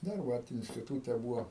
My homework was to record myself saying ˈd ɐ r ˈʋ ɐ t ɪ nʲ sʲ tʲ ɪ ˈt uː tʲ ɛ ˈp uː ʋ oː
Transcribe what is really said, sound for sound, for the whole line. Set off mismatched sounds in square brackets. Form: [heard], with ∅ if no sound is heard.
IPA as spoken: ˈd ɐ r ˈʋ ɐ t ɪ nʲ sʲ tʲ ɪ ˈt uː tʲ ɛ [ˈb] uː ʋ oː